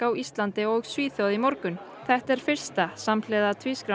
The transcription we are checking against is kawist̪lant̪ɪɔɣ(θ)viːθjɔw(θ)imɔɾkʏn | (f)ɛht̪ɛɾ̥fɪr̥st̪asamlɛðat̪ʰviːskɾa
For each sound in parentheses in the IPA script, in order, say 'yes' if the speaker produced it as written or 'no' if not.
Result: no, no, no

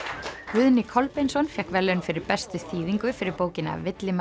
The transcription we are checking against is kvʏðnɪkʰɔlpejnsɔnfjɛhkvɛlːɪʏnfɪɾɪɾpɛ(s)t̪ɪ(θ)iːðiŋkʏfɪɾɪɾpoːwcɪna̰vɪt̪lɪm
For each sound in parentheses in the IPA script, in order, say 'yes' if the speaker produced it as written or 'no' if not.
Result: yes, yes

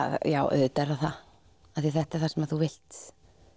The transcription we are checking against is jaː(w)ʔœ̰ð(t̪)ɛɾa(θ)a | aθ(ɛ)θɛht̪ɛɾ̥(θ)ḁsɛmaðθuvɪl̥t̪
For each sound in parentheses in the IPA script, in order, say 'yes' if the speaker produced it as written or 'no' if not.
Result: yes, yes, yes, no, yes

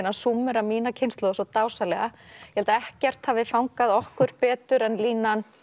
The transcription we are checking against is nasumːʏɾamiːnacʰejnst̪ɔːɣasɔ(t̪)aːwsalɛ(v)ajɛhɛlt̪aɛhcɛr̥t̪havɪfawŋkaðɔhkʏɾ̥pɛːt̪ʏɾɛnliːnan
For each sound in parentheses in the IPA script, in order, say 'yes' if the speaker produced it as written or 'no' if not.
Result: yes, no

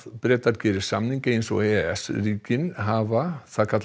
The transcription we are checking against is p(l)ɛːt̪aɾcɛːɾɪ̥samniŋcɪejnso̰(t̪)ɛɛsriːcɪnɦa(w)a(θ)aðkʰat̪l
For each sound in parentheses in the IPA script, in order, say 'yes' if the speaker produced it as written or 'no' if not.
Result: no, no, no, yes

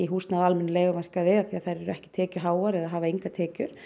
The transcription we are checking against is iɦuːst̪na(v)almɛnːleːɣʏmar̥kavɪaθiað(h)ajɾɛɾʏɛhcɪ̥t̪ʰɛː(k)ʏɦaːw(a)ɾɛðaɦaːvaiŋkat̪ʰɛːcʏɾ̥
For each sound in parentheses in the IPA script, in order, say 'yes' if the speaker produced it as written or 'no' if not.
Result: no, no, no, yes

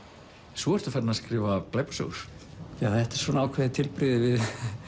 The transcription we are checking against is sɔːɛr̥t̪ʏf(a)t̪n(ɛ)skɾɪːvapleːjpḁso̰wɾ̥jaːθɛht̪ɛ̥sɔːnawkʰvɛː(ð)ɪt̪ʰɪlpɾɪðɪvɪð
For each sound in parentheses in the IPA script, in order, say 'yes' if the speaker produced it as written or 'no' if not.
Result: no, no, yes

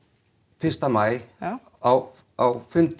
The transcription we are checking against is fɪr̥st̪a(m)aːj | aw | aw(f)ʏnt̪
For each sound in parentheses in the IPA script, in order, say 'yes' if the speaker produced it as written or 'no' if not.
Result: yes, yes

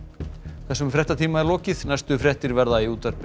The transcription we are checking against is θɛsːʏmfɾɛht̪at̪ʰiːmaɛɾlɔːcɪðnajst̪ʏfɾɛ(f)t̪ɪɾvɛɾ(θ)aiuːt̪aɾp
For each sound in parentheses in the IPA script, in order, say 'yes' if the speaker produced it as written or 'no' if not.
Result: no, no

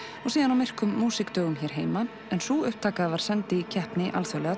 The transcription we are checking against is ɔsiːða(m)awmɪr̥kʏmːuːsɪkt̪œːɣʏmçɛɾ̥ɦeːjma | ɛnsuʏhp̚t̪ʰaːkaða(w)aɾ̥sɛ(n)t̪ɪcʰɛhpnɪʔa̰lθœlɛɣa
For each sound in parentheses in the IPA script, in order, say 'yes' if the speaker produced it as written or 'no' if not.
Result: no, no, yes

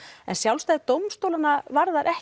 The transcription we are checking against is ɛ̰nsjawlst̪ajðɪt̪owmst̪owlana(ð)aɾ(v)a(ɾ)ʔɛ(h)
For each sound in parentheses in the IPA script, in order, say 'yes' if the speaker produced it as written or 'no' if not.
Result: no, no, yes, yes

